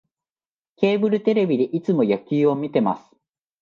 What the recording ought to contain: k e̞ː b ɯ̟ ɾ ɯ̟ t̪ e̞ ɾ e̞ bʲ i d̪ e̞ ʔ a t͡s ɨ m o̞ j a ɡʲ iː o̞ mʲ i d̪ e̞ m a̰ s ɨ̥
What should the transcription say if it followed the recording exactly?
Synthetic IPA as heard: k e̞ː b ɯ̟ ɾ ɯ̟ t̪ e̞ ɾ e̞ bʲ i d̪ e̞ ʔ i t͡s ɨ m o̞ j a kʲ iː o̞ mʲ i t̪ e̞ m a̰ s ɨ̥